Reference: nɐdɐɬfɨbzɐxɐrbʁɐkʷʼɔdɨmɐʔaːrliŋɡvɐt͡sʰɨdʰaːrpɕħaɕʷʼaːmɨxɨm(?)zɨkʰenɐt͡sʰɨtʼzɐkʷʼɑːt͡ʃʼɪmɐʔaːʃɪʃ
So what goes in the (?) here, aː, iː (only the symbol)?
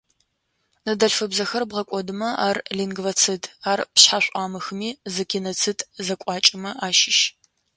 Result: iː